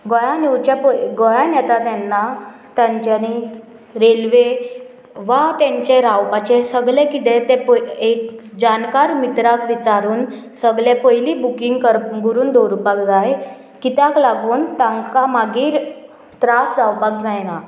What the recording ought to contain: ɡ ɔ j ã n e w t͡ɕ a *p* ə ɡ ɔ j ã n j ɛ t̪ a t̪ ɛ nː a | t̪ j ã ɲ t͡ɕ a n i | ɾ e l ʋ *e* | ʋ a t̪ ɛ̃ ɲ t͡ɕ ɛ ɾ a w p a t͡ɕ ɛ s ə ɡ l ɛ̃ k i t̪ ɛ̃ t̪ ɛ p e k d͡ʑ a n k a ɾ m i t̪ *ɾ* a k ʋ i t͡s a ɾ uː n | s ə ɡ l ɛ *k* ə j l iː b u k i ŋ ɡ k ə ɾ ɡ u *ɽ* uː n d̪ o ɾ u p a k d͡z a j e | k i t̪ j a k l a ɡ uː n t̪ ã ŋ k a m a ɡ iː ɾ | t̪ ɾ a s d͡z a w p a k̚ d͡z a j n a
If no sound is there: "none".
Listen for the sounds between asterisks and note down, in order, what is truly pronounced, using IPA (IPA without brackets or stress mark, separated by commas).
p, e, ɾ, p, ɾ